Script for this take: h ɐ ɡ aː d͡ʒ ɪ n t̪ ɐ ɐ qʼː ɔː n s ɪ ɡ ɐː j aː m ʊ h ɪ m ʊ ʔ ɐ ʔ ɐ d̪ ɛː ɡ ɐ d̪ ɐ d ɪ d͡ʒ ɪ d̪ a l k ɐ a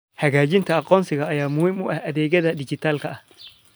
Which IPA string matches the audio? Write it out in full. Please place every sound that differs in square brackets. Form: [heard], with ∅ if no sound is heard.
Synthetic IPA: h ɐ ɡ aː d͡ʒ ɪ n t̪ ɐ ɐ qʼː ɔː n s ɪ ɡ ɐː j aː m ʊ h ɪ m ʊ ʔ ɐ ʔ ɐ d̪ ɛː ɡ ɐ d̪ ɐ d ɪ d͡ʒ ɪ [t̪] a l k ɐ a